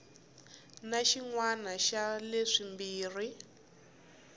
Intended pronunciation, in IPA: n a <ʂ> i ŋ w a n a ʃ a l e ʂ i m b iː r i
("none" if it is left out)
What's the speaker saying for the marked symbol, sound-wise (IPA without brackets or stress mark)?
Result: ʃ